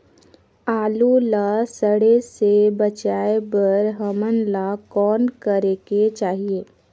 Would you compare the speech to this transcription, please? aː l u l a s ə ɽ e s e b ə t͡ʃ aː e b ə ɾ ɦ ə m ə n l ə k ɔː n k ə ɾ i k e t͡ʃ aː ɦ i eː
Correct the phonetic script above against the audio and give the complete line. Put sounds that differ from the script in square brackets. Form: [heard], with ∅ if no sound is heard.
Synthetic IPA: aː l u l a s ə ɽ e s e b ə t͡ʃ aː e b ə ɾ ɦ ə m ə n l [a] k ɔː n k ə ɾ [e] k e t͡ʃ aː ɦ i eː